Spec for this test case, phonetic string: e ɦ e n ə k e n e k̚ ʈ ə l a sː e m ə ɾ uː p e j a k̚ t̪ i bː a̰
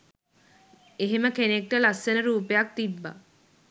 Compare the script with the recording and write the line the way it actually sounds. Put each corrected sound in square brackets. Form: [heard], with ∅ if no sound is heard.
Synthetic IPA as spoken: e ɦ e [m] ə k e n e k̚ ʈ ə l a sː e [n] ə ɾ uː p e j a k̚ t̪ i bː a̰